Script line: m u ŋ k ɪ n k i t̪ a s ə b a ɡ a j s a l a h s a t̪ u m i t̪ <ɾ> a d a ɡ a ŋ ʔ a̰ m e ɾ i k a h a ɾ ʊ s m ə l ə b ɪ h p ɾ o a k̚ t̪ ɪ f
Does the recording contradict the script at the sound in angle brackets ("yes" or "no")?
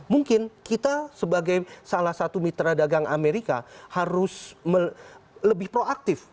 no